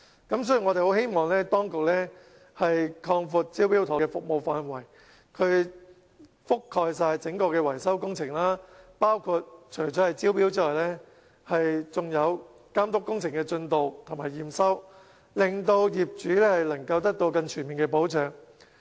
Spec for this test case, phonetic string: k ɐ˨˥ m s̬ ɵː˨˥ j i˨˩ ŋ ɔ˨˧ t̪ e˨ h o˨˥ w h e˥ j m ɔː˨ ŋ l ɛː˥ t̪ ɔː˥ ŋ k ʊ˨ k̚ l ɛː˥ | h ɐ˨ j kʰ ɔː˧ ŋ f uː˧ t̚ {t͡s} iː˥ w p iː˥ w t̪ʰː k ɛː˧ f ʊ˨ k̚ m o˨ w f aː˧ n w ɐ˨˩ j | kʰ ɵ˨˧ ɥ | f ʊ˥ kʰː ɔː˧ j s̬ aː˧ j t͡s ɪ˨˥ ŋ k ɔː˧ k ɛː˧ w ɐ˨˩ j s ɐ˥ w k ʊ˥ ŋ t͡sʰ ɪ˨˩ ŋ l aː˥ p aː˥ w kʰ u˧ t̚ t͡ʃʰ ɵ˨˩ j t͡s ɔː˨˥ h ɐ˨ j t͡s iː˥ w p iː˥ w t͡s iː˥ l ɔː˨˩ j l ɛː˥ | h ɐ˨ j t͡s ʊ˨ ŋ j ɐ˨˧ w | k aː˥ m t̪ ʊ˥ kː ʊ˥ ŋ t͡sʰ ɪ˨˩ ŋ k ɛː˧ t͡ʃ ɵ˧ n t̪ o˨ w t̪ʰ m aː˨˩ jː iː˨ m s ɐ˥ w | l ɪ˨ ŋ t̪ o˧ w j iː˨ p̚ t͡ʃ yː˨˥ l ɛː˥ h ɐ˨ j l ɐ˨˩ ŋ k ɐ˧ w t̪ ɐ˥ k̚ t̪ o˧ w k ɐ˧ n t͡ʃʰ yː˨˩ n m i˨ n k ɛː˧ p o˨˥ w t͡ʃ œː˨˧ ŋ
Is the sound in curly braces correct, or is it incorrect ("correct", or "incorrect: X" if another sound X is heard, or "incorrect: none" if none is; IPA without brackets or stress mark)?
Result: correct